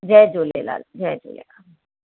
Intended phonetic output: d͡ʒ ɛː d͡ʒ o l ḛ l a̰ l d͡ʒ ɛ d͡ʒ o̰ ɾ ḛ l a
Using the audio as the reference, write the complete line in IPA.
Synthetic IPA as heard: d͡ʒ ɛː d͡ʒ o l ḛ l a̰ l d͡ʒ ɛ d͡ʒ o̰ l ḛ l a